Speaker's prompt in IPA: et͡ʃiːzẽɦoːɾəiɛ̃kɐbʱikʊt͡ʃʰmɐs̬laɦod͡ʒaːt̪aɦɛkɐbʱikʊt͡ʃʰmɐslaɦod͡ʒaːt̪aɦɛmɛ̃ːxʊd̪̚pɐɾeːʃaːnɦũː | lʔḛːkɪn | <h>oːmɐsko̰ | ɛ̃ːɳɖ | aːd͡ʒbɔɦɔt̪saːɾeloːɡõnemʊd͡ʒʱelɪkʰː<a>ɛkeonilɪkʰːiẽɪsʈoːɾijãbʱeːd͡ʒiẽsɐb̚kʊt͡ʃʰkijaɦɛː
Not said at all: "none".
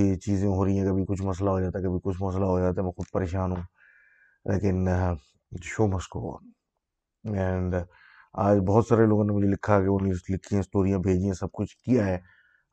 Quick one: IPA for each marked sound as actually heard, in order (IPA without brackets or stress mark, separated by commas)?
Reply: ʃ, a